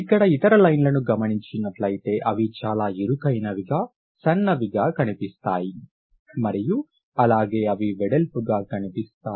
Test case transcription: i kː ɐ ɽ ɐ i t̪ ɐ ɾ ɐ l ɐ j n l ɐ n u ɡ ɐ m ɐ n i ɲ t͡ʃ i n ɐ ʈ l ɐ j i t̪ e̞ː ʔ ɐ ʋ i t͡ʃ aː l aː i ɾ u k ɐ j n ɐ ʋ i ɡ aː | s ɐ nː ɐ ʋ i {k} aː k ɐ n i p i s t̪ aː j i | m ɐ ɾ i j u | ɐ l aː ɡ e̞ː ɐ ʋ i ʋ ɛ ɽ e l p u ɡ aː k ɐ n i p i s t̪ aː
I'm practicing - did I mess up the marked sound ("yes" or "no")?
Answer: yes